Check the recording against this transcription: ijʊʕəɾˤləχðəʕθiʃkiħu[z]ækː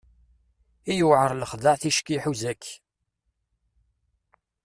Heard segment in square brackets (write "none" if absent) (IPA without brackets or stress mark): z